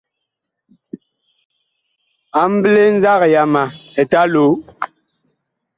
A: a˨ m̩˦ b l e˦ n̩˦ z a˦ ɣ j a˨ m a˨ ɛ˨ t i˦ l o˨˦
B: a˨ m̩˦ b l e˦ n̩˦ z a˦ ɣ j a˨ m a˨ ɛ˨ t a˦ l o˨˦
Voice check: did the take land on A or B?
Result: B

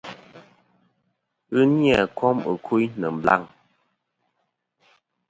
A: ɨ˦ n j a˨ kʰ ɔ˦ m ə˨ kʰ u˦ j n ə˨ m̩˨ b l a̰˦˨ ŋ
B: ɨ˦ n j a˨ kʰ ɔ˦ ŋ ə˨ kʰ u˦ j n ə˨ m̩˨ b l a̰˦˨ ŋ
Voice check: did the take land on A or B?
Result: A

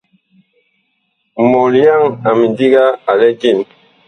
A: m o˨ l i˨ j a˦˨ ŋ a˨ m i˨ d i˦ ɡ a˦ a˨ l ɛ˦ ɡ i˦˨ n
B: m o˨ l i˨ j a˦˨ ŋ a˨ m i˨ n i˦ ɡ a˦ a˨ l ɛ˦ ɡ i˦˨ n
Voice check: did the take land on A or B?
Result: A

